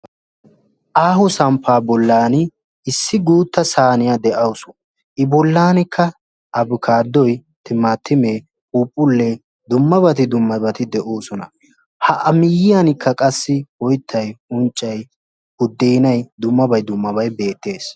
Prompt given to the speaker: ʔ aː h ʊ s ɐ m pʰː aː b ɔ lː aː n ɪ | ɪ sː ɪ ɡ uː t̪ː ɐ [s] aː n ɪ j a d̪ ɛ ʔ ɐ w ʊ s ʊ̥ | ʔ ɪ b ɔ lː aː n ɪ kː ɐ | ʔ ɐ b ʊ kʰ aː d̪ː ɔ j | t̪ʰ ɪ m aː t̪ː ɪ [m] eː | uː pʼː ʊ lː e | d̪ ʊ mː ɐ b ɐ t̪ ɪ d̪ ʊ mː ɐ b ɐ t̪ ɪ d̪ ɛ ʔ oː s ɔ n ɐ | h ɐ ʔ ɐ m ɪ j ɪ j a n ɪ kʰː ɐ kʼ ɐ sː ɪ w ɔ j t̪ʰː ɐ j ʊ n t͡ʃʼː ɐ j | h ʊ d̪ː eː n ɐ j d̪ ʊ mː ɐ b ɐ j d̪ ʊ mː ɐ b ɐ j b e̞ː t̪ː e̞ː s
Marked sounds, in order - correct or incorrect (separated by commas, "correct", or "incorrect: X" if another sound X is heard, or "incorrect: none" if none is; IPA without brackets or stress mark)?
correct, correct